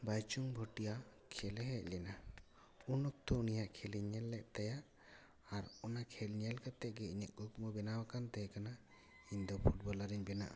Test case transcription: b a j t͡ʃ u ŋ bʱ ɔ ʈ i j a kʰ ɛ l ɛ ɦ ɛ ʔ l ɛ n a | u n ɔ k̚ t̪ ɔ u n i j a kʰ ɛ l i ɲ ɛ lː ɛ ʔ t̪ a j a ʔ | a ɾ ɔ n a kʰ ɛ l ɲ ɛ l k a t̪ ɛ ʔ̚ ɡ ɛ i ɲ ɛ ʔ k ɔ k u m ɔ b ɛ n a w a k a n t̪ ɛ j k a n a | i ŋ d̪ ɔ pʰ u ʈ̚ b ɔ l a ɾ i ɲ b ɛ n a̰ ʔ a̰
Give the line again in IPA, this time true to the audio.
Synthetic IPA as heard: b a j t͡ʃ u ŋ bʱ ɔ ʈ i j a kʰ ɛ l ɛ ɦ ɛ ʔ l ɛ n a | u n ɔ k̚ t̪ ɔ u n i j a kʰ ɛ l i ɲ ɛ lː ɛ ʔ t̪ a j a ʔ | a ɾ ɔ n a kʰ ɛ l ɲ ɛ l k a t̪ ɛ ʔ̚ ɡ ɛ i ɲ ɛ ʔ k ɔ k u m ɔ b ɛ n a w a k a n t̪ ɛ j k a n a | i ɲ d̪ ɔ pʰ u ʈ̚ b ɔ l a ɾ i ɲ b ɛ n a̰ ʔ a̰